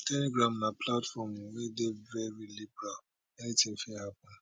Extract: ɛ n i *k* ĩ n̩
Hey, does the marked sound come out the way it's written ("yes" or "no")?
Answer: no